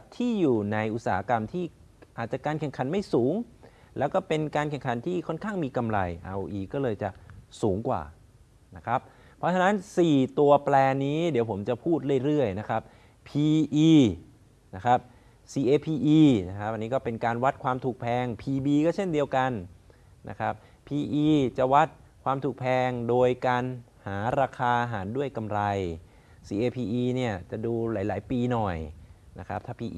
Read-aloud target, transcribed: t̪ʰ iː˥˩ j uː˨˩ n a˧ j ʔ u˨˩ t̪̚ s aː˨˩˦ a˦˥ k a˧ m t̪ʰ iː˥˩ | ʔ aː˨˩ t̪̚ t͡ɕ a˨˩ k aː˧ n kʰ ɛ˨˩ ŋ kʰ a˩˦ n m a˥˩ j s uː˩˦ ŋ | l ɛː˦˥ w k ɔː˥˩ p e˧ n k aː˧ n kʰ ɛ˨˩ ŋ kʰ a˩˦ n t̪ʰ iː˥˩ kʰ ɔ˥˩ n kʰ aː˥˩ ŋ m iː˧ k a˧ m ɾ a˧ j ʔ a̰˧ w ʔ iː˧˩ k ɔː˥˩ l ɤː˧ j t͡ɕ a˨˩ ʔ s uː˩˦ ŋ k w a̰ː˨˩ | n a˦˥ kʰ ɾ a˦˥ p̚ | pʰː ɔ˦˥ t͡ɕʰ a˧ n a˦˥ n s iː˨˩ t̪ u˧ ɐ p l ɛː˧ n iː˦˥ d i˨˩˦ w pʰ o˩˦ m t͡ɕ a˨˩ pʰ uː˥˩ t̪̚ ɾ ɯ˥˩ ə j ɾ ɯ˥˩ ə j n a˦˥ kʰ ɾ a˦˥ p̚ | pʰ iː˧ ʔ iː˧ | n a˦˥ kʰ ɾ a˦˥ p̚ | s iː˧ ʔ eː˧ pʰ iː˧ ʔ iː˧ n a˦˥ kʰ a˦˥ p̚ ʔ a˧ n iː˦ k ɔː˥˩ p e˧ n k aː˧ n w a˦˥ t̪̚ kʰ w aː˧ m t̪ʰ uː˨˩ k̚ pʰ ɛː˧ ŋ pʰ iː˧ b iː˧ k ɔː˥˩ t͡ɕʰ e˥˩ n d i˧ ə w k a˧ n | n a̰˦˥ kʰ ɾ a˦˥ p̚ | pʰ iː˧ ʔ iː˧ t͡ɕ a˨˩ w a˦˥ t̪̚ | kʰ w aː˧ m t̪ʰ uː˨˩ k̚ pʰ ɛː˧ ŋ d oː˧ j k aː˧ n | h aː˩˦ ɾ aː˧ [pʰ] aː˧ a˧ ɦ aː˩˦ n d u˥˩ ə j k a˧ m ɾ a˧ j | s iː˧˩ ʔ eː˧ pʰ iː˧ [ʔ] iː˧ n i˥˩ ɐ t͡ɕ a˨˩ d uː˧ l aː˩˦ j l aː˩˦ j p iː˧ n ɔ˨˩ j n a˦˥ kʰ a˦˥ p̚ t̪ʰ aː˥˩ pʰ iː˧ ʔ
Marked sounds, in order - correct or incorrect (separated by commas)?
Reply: incorrect, correct